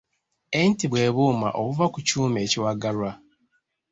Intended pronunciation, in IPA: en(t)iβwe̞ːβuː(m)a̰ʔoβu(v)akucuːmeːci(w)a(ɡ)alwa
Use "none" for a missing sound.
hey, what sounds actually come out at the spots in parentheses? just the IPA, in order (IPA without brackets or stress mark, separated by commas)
t, m, v, w, ɡ